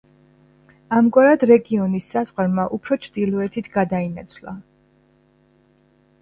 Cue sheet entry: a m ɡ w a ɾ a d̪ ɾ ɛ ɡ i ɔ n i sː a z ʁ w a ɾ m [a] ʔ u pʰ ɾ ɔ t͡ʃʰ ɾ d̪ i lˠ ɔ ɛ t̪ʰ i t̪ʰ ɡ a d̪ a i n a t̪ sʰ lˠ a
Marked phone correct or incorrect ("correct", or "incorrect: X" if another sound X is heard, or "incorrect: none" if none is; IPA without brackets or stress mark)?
correct